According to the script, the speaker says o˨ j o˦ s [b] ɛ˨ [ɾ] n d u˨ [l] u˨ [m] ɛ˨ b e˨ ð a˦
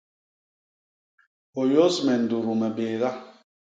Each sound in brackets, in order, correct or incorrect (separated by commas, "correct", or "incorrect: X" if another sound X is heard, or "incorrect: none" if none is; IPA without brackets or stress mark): incorrect: m, incorrect: none, incorrect: ɾ, correct